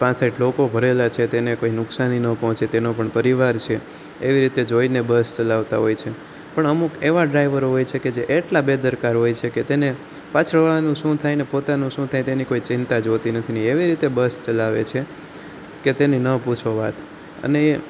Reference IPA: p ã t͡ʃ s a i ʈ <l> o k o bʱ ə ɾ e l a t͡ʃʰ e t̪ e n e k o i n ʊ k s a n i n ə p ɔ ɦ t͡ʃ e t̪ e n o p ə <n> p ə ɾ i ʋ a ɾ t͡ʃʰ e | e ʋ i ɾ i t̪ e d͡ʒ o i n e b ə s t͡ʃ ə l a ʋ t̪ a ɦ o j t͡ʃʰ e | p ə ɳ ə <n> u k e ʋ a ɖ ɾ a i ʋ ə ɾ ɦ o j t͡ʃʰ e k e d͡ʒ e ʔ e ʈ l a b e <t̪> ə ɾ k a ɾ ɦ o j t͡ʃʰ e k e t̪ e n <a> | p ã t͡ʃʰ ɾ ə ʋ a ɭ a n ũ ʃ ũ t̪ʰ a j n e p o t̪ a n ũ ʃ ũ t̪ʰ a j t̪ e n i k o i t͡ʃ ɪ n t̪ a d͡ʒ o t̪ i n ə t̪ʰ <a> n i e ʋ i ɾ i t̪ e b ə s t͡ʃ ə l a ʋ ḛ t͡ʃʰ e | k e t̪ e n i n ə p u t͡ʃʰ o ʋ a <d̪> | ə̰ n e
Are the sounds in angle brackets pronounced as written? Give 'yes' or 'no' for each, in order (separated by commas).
yes, no, no, no, no, no, no